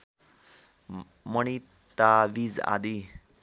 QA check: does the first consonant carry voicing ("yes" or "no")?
yes